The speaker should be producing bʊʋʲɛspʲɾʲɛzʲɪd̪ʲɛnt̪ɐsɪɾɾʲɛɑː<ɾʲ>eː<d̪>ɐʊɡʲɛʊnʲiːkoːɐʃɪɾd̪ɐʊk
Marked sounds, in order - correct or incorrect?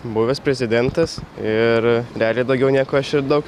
incorrect: lʲ, correct

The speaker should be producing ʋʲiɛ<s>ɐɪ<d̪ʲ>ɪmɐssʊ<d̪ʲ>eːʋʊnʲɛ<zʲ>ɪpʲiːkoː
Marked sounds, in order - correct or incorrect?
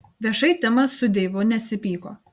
incorrect: ʃ, incorrect: t̪ʲ, correct, incorrect: sʲ

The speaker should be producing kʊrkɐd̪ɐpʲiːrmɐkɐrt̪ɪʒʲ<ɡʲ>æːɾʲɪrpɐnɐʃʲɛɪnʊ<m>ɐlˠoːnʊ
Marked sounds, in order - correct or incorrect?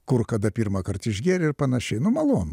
correct, correct

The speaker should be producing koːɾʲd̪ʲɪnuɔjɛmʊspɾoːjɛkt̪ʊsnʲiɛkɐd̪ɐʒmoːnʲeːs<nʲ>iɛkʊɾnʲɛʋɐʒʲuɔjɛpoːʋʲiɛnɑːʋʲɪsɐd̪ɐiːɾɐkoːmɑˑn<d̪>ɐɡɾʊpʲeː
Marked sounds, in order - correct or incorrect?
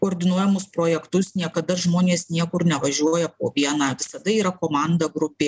correct, correct

